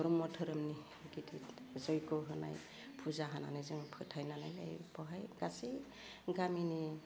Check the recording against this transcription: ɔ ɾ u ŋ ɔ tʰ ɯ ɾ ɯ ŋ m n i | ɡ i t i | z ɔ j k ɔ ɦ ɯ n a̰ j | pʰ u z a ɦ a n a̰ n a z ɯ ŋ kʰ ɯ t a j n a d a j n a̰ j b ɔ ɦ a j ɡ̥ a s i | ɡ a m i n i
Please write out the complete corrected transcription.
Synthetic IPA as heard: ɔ ɾ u m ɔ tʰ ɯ ɾ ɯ m n i | ɡ i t i | z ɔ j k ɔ ɦ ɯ n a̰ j | pʰ u z a ɦ a n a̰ n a z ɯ ŋ pʰ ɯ tʰ a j n a n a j n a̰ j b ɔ ɦ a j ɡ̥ a s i | ɡ a m i n i